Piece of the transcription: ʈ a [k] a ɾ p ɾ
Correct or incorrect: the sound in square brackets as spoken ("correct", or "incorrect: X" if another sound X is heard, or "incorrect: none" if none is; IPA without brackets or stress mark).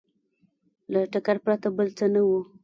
correct